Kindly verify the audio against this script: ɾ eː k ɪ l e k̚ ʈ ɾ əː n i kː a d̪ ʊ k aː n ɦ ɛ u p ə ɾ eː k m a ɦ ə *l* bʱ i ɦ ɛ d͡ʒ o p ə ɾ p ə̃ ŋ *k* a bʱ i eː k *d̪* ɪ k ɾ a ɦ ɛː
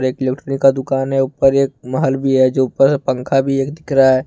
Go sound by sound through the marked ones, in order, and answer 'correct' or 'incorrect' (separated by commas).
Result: correct, incorrect, correct